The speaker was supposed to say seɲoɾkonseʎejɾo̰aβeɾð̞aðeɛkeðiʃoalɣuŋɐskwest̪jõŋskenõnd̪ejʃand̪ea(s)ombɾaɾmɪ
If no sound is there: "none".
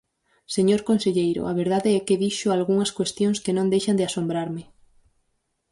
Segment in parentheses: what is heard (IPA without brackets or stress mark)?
s